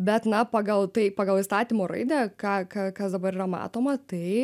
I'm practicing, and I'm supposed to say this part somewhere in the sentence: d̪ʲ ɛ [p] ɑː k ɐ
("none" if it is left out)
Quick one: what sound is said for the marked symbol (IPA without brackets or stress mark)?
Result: k